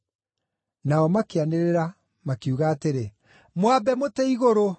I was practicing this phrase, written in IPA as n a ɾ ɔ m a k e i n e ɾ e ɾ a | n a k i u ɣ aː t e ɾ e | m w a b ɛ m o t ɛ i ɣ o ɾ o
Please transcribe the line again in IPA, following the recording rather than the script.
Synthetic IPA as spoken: n a ɔ m a k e a n e ɾ e ɾ a | m a k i u ɣ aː t e ɾ e | m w a b ɛ m o t ɛ i ɣ o ɾ o